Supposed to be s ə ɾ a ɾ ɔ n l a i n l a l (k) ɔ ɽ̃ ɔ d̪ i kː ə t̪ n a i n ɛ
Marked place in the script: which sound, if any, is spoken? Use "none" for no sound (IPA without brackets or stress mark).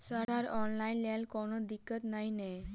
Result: k